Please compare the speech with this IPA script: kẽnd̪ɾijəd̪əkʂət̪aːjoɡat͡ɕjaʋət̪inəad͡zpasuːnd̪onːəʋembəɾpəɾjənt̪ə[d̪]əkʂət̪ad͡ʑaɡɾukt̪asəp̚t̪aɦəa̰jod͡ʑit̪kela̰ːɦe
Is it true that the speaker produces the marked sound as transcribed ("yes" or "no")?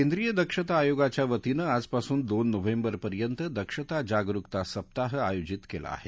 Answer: yes